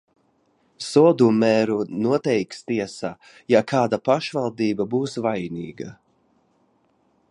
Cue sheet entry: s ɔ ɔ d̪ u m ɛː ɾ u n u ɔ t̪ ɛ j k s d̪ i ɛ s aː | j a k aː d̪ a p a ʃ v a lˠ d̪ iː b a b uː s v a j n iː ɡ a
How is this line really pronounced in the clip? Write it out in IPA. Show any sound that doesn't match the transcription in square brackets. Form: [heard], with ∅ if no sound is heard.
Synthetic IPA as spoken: s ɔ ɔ d̪ u m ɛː ɾ u n u ɔ t̪ ɛ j k s [t̪] i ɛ s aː | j a k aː d̪ a p a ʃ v a lˠ d̪ iː b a b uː s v a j n iː ɡ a